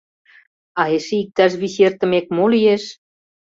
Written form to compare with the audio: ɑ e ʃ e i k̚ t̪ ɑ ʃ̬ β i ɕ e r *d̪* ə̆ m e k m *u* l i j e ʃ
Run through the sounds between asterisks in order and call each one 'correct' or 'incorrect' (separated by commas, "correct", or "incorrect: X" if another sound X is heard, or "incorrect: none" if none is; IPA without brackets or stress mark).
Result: incorrect: t̪, incorrect: o